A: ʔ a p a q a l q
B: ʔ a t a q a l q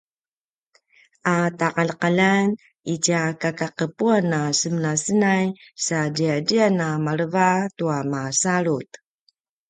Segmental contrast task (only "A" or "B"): B